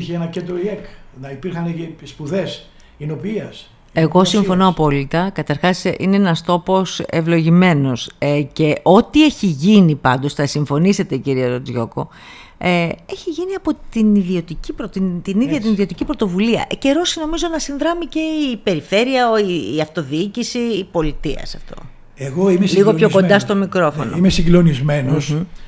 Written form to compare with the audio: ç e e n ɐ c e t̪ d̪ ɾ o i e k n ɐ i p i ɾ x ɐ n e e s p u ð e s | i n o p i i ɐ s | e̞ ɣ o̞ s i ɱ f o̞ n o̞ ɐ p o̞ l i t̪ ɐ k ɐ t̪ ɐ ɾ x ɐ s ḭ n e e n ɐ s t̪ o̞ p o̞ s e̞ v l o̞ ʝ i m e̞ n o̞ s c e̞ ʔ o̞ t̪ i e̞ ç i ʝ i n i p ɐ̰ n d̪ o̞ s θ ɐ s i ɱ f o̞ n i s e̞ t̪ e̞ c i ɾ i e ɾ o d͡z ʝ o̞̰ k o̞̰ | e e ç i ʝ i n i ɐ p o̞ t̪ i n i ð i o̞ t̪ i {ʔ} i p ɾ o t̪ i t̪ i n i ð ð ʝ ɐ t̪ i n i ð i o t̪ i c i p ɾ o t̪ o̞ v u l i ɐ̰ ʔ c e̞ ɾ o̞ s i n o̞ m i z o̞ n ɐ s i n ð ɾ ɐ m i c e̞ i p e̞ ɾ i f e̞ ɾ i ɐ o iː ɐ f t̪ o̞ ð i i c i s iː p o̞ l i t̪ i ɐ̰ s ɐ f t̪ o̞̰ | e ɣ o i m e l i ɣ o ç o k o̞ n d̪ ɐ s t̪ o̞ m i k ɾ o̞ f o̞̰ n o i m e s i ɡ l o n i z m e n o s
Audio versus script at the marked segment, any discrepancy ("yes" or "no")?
yes